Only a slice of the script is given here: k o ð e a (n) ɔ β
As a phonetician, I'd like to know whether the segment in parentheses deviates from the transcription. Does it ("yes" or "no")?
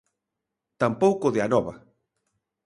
no